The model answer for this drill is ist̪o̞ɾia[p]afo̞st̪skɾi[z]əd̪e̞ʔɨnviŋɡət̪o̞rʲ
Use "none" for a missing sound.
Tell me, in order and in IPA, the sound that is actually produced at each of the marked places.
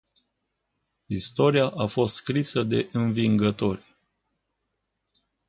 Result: ʔ, s

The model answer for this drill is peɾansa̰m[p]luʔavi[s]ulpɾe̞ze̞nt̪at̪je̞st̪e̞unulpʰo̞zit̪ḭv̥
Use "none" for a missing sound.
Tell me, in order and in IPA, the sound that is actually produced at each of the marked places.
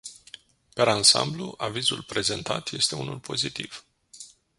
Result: b, z

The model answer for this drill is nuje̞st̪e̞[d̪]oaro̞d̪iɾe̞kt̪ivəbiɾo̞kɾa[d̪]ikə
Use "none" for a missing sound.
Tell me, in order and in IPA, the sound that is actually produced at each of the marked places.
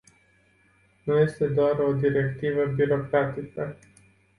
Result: d̪, t̪

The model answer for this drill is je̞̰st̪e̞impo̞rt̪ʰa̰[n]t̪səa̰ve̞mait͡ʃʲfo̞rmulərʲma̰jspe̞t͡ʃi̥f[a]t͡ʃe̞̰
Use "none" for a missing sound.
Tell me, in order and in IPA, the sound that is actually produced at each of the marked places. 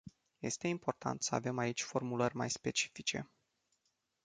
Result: n, i

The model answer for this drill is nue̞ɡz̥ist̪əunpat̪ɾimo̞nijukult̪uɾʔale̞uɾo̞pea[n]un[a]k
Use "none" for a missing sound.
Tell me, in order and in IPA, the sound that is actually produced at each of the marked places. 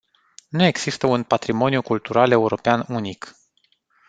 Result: n, i

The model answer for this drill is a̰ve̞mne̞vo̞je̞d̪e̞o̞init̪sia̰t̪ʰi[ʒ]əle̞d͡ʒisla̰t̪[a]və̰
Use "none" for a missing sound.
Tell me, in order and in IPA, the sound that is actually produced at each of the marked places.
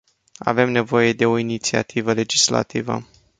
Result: v, i

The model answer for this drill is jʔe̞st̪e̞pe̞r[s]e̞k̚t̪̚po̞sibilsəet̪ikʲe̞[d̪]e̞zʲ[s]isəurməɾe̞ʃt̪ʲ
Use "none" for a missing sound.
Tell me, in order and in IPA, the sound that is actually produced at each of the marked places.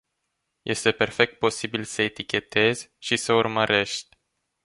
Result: f, t̪, ʃ

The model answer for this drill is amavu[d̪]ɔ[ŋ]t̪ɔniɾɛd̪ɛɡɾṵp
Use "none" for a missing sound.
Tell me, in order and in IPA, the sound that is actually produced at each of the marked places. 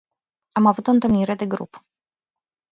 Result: t̪, n

